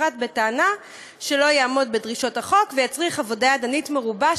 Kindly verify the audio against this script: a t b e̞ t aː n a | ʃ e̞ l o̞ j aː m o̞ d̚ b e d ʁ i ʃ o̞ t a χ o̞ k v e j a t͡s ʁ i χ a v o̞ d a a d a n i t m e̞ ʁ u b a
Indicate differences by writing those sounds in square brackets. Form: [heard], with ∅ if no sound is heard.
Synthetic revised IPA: a t b e̞ t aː n a | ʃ e̞ l o̞ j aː m o̞ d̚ b e d ʁ i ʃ o̞ t a χ o̞ k v e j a t͡s ʁ i χ a v o̞ d a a d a n i t m e̞ ʁ u b a